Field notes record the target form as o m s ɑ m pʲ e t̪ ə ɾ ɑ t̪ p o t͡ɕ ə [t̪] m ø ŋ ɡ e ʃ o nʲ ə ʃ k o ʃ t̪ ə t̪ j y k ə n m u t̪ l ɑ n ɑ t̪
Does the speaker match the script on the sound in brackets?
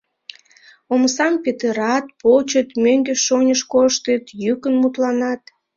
yes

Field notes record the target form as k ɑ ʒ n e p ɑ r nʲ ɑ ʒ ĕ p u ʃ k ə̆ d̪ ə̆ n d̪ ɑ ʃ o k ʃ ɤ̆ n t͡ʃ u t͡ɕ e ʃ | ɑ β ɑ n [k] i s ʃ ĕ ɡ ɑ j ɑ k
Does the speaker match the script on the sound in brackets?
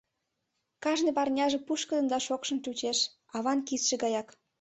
yes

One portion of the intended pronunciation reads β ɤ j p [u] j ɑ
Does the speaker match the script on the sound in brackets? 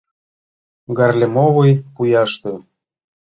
yes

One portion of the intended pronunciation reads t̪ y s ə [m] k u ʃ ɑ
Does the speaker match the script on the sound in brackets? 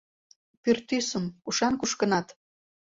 yes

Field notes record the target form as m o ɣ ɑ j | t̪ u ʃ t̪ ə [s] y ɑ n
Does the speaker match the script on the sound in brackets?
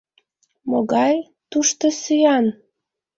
yes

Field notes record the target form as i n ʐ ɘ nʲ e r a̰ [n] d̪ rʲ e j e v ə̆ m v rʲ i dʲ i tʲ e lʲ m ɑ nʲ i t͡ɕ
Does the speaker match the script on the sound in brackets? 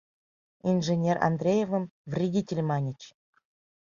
yes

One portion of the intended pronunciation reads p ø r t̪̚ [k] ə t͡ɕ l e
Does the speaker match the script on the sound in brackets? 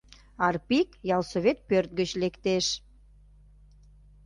no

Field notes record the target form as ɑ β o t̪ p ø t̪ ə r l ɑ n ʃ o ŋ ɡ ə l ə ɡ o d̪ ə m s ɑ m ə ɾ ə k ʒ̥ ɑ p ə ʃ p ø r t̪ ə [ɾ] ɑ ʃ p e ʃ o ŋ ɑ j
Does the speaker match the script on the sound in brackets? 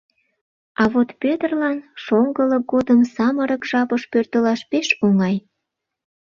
no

